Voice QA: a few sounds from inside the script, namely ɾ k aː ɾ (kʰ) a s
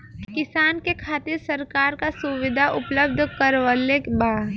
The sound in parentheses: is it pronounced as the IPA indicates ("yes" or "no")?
no